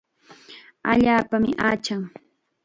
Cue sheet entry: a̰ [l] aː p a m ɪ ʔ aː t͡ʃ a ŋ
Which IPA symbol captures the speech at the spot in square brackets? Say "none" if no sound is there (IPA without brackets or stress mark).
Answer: ʎ